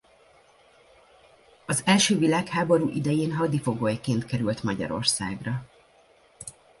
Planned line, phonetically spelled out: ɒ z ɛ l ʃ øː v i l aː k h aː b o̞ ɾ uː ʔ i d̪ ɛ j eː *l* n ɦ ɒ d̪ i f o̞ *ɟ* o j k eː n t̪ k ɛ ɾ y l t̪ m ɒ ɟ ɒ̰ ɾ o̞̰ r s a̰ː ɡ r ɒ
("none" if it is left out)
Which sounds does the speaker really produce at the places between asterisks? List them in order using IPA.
none, ɡ

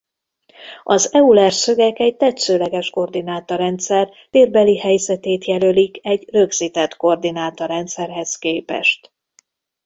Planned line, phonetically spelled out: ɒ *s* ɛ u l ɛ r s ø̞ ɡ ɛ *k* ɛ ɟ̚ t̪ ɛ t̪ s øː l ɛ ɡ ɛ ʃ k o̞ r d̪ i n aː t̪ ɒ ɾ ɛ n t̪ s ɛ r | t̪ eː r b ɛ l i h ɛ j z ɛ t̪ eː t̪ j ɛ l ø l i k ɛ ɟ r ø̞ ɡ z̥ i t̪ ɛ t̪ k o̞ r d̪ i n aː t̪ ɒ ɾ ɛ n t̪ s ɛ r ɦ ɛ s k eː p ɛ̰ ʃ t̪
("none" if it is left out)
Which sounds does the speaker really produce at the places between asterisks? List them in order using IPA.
z, k

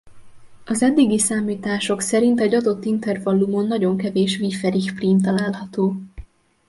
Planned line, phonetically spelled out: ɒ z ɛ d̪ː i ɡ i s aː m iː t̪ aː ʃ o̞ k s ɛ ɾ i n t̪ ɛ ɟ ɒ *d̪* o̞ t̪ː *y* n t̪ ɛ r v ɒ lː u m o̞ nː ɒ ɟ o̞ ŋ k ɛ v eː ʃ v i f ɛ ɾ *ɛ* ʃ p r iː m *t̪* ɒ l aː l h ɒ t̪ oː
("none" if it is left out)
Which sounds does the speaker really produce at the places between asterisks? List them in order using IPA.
d̪, i, i, t̪

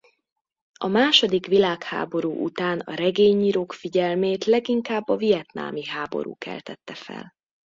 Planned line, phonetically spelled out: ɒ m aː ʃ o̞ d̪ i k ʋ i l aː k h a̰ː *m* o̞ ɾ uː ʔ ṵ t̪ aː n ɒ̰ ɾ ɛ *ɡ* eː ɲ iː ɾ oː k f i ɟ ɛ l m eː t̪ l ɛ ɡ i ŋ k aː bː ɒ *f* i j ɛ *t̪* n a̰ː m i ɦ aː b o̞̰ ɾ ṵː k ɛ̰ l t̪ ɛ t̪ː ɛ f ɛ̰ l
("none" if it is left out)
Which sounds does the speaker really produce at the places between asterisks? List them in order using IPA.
b, ɡ, v, t̪

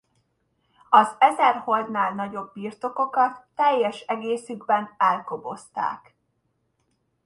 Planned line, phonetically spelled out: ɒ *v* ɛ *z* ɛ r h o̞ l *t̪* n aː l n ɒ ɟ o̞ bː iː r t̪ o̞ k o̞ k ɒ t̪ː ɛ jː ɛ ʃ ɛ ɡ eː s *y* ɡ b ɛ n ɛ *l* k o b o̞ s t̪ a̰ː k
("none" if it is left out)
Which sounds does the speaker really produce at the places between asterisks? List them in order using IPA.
z, z, d̪, y, l

